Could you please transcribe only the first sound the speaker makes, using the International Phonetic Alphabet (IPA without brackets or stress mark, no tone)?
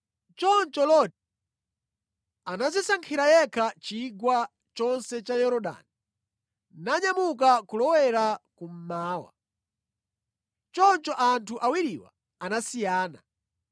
t͡ʃ